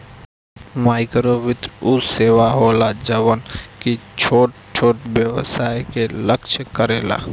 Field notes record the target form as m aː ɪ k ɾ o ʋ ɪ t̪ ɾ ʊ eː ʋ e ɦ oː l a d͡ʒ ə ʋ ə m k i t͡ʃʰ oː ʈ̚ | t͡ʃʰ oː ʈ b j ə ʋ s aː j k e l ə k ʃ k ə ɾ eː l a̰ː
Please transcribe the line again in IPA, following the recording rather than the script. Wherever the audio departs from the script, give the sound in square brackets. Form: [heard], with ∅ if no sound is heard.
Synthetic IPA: m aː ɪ k ɾ o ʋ ɪ t̪ ɾ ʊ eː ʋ [a] ɦ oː l a d͡ʒ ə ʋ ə [n] k i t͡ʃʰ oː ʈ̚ | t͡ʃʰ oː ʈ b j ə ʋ s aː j k e l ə k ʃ k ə ɾ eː l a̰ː